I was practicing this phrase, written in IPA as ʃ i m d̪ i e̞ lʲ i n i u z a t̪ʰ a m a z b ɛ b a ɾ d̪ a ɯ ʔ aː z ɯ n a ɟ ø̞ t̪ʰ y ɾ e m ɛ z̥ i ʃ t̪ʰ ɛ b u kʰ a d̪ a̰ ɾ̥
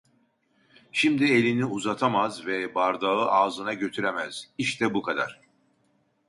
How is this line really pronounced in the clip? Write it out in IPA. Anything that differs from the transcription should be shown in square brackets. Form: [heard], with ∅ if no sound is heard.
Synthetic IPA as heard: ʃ i m d̪ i e̞ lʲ i n i u z a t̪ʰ a m a z [v] ɛ b a ɾ d̪ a ɯ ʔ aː z ɯ n a ɟ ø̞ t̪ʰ y ɾ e m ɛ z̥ i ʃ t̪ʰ ɛ b u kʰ a d̪ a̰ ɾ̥